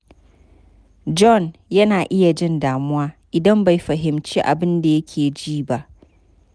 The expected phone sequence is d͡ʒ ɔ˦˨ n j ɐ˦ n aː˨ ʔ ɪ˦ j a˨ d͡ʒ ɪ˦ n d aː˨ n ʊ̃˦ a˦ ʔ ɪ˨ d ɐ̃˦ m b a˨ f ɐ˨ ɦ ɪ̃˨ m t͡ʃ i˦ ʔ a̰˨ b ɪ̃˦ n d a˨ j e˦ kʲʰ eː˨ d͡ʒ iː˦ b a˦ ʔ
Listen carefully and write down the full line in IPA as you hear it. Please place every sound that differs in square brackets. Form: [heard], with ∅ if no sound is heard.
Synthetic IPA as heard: d͡ʒ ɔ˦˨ n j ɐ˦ n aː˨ ʔ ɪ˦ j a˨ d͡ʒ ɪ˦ n d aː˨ [m] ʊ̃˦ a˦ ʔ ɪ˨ d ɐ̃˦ m b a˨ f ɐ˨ ɦ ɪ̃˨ m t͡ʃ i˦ ʔ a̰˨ b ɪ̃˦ n d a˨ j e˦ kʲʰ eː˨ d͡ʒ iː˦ b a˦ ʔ